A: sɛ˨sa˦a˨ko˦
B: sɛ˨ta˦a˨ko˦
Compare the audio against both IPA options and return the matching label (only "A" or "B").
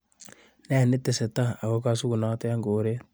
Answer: B